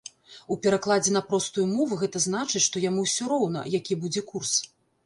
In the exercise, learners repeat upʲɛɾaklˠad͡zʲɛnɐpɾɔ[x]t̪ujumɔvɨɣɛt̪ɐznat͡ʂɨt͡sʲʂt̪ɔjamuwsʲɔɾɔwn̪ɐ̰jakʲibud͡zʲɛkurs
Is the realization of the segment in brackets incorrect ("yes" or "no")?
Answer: yes